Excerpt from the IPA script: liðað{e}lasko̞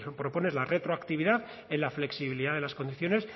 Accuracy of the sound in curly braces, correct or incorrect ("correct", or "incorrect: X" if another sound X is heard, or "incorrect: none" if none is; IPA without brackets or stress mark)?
correct